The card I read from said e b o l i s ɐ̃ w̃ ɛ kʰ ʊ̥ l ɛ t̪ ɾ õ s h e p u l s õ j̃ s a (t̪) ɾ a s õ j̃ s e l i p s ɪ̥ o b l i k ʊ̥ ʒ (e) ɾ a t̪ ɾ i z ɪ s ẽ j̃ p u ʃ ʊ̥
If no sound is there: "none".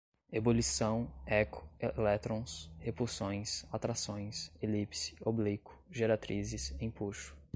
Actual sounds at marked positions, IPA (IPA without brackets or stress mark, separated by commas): t̪, e